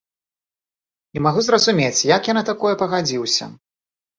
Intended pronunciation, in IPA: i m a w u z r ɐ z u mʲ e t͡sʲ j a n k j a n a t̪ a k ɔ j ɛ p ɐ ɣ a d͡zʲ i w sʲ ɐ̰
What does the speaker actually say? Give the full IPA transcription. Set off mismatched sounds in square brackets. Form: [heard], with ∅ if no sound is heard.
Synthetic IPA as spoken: i m a [ɣ] u z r ɐ z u mʲ e t͡sʲ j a [∅] k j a n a t̪ a k ɔ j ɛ p ɐ ɣ a d͡zʲ i w sʲ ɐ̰